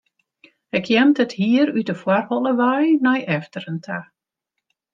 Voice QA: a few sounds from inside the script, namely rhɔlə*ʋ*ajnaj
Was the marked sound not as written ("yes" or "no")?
no